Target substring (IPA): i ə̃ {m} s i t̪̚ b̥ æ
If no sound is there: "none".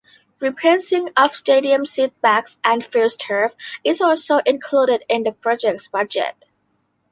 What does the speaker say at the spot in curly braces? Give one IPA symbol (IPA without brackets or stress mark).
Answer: m